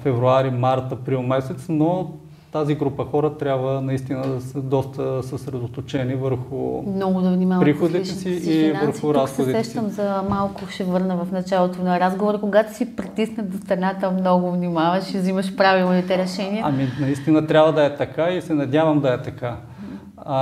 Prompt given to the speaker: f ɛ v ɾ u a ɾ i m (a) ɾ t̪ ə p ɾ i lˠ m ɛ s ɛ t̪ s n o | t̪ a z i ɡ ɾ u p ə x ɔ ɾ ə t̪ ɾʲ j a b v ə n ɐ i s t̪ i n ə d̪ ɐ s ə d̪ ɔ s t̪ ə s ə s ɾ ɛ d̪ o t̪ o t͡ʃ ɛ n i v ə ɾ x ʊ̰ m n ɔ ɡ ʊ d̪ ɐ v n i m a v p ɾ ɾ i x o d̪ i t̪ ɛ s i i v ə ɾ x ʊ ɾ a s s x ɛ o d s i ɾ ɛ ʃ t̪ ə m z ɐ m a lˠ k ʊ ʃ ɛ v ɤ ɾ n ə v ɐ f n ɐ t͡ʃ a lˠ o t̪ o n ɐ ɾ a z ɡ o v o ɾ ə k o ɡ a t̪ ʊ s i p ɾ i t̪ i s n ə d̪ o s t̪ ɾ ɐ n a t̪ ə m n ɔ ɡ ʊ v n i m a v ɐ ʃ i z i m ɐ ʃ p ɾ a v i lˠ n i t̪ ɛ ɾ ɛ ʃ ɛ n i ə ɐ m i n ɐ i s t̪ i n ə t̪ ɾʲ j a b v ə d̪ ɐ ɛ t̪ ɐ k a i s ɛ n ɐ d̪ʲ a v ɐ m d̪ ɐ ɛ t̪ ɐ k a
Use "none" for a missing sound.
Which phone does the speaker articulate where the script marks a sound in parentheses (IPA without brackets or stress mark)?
a